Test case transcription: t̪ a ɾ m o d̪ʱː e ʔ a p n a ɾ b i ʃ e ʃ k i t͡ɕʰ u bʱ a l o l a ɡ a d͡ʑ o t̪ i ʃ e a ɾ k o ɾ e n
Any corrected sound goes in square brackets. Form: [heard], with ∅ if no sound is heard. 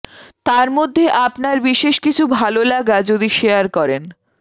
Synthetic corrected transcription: t̪ a ɾ m o d̪ʱː e ʔ a p n a ɾ b i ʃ e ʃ k i t͡ɕʰ u bʱ a l o l a ɡ a d͡ʑ o [d̪] i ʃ e a ɾ k [ɔ] ɾ e n